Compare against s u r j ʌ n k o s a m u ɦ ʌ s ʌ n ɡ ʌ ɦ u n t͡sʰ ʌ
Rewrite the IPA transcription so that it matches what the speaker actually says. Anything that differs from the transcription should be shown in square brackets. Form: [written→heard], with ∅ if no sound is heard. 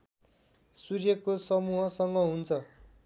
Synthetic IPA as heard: s u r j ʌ [n→∅] k o s [a→ʌ] m u ɦ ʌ s ʌ [n→ŋ] ɡ ʌ ɦ u n t͡sʰ ʌ

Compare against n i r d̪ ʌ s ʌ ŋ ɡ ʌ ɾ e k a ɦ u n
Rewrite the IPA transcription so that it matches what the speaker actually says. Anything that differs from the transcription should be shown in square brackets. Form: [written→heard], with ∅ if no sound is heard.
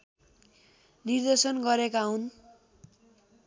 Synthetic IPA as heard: n i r d̪ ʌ s ʌ [ŋ→n] ɡ ʌ ɾ e k a ɦ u n

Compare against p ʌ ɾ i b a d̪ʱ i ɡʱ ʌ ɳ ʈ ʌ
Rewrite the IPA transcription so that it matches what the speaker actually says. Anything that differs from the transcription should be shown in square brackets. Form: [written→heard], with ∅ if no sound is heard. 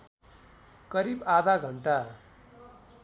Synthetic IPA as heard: [p→k] ʌ ɾ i b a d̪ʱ [i→a] ɡʱ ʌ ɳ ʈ [ʌ→a]

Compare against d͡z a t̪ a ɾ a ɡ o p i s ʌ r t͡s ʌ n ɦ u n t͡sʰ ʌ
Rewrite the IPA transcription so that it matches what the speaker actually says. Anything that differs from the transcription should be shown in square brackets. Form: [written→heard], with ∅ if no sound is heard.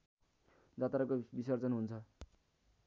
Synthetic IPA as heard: d͡z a t̪ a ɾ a [ɡ→k] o [p→b] i s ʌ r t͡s ʌ n ɦ u n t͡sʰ ʌ

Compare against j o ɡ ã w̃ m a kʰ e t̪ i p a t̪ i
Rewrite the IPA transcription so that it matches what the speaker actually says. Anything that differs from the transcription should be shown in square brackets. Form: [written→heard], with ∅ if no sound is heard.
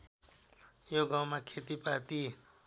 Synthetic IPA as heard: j o ɡ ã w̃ m a kʰ e t̪ i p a t̪ i

